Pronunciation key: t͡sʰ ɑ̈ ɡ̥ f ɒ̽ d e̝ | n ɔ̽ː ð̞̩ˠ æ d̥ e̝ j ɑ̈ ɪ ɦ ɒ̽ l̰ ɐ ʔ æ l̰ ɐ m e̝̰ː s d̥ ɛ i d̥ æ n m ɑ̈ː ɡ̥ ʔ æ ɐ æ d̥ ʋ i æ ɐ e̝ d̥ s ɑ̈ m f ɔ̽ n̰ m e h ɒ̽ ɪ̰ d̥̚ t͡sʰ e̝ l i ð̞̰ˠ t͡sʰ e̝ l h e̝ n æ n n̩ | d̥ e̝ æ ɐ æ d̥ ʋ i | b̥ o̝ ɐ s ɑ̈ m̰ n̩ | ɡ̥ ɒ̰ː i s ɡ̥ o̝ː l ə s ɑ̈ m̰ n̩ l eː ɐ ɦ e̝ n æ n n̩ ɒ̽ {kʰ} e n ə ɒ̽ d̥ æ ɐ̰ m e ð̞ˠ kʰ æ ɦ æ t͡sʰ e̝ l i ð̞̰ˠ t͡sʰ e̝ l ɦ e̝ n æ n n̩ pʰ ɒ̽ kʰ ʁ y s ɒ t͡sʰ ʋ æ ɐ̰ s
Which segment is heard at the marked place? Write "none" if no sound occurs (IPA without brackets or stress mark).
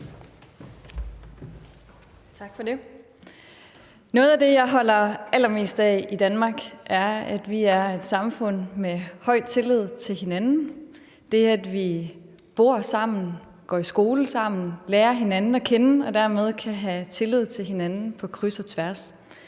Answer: kʰ